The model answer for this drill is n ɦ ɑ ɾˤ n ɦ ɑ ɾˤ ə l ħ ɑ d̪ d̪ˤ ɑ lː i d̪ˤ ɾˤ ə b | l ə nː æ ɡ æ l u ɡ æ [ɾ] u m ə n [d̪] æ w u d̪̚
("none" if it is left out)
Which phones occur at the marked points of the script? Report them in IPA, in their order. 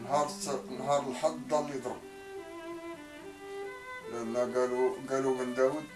l, d̪

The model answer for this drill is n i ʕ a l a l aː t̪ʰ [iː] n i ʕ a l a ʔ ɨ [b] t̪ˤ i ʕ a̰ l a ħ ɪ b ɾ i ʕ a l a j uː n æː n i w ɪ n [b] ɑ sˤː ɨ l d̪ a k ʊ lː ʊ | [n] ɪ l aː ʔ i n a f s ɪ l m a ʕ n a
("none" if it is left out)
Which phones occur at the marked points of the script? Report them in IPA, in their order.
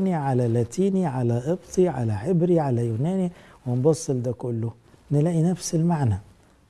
iː, b, b, n

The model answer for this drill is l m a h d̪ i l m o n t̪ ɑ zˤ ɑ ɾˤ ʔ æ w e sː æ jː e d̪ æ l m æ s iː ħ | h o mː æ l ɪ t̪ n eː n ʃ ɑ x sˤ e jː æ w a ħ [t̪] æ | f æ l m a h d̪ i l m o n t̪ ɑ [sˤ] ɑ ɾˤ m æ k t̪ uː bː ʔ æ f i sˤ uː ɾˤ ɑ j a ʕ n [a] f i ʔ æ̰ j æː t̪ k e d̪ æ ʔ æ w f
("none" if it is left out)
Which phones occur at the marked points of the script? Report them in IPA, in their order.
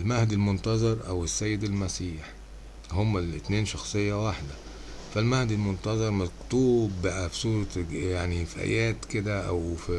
d̪, zˤ, i

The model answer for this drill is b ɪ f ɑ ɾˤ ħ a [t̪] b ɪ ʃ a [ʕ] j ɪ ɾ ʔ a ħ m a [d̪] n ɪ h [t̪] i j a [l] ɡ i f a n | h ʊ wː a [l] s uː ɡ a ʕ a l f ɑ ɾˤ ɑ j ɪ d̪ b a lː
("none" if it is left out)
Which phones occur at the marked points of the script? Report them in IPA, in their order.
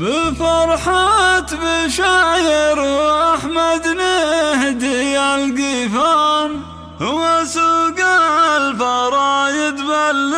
t̪, ʕ, d̪, d̪, l, none

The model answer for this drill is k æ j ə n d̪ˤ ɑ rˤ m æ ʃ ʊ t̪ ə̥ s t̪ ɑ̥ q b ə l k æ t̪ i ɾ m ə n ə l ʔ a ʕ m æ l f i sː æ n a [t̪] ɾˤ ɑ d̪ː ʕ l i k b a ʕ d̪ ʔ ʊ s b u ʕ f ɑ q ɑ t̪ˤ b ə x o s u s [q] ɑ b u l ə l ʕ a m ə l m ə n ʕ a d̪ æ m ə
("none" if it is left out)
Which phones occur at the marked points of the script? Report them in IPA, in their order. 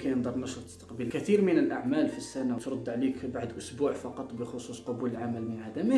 t̪, q

